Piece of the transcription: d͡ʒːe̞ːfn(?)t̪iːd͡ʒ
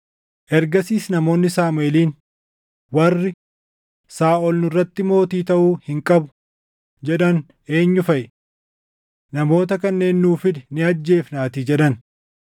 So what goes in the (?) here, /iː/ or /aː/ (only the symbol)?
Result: aː